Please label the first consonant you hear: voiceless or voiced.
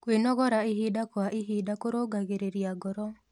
voiceless